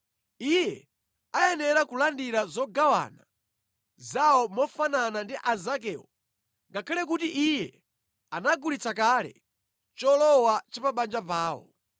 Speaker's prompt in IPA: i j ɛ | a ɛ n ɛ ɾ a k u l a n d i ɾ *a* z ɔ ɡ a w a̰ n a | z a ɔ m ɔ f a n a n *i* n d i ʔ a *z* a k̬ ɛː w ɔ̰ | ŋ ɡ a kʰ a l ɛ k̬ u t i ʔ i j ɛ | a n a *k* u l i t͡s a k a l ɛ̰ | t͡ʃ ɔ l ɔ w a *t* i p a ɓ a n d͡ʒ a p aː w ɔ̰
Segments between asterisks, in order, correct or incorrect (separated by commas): correct, incorrect, correct, incorrect, incorrect